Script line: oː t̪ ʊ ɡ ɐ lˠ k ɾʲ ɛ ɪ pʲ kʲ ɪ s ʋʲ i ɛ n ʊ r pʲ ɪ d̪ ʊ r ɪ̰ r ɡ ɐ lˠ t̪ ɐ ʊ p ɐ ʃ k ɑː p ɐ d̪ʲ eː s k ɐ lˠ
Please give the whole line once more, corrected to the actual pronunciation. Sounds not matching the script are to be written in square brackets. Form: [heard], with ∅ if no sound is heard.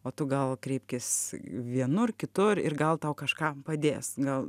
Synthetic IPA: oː t̪ ʊ ɡ ɐ lˠ k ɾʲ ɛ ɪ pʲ kʲ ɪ s ʋʲ i ɛ n ʊ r [kʲ] ɪ [t̪] ʊ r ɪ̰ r ɡ ɐ lˠ t̪ ɐ ʊ [k] ɐ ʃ k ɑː p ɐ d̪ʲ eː s [ɡ] ɐ lˠ